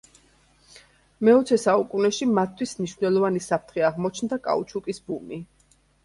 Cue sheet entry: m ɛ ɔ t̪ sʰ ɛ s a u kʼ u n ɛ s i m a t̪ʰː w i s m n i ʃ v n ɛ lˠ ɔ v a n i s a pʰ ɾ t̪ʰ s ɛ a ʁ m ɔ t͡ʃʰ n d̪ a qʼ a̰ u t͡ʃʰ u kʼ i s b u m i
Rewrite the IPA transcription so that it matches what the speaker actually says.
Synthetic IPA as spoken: m ɛ ɔ t̪ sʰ ɛ s a u kʼ u n ɛ ʃ i m a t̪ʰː w i s m n i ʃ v n ɛ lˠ ɔ v a n i s a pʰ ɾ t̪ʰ χ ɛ a ʁ m ɔ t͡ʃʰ n d̪ a kʼ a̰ u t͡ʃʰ u kʼ i s b u m i